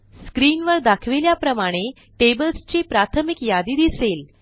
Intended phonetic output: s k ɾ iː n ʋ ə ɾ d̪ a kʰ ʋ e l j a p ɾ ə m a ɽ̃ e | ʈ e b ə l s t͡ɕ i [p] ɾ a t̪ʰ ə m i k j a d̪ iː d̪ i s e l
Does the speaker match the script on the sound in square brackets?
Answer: yes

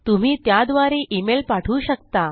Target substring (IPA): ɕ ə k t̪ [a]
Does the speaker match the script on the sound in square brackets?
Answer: yes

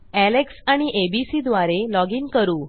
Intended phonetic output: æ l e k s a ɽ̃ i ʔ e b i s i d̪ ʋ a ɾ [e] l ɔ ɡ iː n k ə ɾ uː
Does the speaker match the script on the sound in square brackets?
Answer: yes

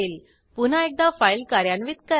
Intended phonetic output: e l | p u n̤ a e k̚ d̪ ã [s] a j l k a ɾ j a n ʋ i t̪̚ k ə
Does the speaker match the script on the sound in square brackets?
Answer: no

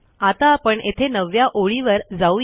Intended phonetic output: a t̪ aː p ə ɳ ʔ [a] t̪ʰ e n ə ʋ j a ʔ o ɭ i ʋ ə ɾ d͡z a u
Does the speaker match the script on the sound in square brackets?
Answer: no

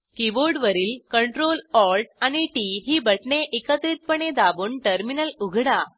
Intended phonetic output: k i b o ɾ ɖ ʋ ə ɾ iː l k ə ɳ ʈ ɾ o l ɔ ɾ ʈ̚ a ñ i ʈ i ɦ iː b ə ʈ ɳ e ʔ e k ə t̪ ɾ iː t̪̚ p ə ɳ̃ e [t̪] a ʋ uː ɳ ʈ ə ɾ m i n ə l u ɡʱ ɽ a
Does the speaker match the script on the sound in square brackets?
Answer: no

